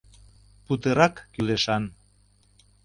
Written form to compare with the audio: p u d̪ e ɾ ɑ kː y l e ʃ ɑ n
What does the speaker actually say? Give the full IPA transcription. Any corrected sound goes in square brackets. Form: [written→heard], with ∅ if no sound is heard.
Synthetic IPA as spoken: p u [d̪→t̪] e ɾ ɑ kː y l e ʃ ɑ n